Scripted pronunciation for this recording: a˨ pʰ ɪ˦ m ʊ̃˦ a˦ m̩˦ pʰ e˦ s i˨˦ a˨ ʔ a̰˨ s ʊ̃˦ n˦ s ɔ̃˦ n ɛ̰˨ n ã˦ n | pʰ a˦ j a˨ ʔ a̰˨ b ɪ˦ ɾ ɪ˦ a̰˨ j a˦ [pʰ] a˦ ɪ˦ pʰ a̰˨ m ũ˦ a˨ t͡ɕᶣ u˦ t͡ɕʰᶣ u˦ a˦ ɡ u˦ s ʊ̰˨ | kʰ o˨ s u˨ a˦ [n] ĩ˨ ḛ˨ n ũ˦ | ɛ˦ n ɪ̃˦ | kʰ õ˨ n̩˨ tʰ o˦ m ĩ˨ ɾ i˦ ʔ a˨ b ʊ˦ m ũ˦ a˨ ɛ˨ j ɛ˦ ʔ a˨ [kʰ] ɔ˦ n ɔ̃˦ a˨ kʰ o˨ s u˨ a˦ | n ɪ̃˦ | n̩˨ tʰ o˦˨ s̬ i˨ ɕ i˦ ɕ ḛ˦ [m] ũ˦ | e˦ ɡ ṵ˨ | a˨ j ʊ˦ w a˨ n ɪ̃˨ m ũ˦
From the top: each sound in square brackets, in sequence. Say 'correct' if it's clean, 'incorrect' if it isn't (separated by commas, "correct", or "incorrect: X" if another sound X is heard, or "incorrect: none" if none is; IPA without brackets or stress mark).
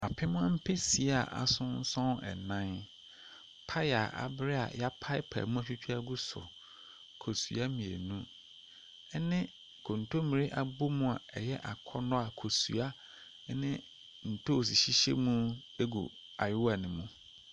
correct, incorrect: m, correct, correct